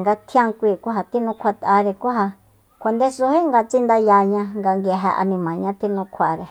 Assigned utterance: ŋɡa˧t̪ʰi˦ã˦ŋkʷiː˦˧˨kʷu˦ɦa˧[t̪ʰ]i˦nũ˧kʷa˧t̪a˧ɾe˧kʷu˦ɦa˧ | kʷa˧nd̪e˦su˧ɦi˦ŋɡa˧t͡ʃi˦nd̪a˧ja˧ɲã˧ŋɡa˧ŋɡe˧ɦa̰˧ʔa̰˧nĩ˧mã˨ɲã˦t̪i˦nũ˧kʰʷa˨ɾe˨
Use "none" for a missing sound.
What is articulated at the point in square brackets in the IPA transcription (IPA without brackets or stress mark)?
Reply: t̪